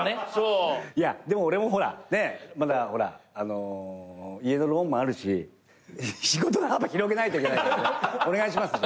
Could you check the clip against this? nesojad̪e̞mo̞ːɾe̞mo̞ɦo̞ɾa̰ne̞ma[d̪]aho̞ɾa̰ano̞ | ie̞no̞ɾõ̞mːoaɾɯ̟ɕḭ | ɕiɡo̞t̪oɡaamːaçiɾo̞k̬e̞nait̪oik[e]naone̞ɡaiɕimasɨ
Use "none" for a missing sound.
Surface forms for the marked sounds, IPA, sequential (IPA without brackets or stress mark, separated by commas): d̪, e